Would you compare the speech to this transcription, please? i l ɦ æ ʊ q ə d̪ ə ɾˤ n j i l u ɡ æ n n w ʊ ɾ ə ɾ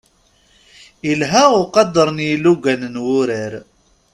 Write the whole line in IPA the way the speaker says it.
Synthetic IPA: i l ɦ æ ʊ q ɑ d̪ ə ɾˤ n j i l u ɡ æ n n w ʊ ɾ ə ɾ